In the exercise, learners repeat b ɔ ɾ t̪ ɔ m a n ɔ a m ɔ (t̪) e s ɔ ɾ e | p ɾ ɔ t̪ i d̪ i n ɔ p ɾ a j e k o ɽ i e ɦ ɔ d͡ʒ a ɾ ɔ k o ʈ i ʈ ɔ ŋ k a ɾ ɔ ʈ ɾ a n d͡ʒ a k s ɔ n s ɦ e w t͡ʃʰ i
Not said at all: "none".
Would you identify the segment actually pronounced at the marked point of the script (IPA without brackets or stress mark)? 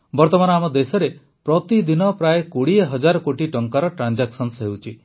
d̪